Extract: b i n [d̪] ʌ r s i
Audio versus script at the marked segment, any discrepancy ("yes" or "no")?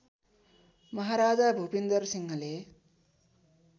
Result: no